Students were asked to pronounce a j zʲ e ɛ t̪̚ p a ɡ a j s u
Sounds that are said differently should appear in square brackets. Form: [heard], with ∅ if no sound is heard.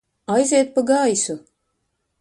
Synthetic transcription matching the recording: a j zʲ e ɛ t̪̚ p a ɡ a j s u